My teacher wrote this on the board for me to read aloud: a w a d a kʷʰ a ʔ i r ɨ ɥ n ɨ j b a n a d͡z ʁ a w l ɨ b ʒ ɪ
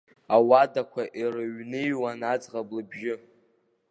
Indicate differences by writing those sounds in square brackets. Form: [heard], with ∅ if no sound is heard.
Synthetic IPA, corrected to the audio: a w a d a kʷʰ a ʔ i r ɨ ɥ n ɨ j [w] a n a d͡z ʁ a [b] l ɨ b ʒ ɪ